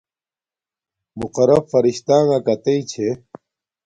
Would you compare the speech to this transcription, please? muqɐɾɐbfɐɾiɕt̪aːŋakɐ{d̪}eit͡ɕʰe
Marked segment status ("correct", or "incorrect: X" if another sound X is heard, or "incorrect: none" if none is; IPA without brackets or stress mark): incorrect: t̪